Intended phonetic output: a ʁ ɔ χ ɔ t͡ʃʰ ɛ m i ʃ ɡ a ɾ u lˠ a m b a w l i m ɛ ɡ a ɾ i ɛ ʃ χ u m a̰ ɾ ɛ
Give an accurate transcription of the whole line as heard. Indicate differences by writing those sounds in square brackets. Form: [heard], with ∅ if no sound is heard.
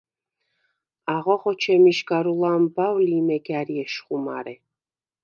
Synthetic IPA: a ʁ ɔ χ ɔ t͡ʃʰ ɛ m i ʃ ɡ a ɾ u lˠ a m b a w l i m ɛ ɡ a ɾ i ɛ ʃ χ u m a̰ ɾ ɛ